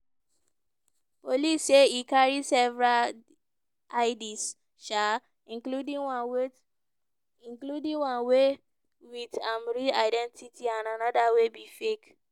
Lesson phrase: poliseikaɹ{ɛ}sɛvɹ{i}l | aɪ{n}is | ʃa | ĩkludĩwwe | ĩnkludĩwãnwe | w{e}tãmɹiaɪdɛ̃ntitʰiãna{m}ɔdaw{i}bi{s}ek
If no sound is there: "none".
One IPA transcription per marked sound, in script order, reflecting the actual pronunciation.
i, a, d, i, n, e, f

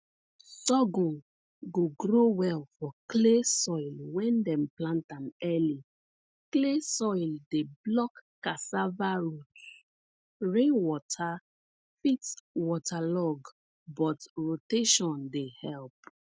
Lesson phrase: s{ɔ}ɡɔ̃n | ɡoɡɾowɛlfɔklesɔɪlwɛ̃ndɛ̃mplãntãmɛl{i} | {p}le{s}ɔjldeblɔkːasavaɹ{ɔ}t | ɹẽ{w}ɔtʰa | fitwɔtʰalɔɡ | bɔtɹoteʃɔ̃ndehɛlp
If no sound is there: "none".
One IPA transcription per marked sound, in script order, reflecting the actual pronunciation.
ɔ, i, k, s, u, w

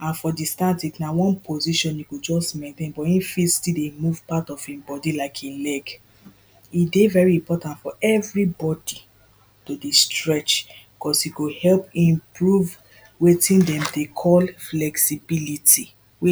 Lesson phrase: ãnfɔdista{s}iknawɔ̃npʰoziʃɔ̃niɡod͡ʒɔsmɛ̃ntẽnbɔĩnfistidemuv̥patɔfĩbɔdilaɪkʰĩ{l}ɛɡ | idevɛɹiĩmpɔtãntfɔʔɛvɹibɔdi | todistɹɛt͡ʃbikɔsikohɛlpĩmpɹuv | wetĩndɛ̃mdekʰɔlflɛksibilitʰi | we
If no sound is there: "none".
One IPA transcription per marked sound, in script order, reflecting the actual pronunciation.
t, l

